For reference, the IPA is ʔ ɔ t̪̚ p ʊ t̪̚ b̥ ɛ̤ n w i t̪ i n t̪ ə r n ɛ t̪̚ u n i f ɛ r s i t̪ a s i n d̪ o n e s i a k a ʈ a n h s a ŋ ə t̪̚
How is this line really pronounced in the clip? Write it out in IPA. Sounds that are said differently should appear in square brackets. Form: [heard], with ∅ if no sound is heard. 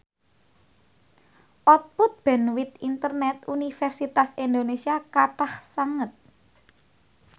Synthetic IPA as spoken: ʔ ɔ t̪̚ p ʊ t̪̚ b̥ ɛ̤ n w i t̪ i n t̪ ə r n ɛ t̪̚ u n i f ɛ r s i t̪ a s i n d̪ o n e s i a k a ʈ a [∅] h s a ŋ ə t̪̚